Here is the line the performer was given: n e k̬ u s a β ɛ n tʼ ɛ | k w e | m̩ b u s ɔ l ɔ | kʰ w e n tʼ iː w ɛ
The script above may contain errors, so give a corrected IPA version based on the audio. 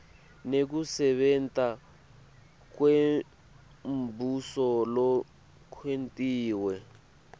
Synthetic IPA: n e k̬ u s ɛ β ɛ n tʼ a | k w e | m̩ b u s ɔ l ɔ | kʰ w e n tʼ iː w ɛ